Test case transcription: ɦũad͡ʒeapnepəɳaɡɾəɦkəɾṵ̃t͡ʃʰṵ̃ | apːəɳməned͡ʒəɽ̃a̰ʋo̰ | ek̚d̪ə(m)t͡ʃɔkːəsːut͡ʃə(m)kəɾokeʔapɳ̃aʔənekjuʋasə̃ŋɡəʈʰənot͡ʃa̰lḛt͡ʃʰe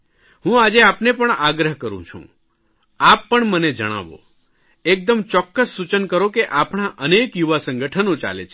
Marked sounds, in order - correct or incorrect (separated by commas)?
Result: correct, incorrect